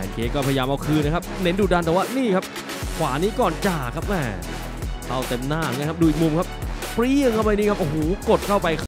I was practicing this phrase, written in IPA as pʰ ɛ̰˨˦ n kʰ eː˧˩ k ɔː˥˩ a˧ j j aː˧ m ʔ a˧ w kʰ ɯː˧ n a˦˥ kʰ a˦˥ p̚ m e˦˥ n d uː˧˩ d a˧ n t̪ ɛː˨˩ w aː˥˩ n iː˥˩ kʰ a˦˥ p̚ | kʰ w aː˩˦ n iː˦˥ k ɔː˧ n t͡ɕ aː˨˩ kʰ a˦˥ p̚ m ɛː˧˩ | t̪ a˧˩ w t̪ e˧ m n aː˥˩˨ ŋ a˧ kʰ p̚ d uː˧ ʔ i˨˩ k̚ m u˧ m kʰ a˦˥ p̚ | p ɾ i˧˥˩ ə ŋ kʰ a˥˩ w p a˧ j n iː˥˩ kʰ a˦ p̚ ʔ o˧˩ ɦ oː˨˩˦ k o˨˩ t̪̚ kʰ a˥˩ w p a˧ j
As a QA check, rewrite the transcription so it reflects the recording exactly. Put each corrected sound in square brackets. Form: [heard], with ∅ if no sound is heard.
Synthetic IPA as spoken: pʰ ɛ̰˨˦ n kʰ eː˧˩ k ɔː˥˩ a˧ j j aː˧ m ʔ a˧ w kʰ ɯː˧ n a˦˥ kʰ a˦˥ p̚ [n] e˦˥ n d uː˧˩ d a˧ n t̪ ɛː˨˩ w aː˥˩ n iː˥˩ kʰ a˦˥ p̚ | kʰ w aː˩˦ n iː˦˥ k [ɔː˨˩] n t͡ɕ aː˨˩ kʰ a˦˥ p̚ m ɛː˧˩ | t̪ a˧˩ w t̪ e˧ m n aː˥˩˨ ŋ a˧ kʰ p̚ d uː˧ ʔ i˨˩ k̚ m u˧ m kʰ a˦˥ p̚ | p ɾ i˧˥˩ ə ŋ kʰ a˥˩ w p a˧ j n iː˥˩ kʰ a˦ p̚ ʔ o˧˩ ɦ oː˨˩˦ k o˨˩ t̪̚ kʰ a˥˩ w p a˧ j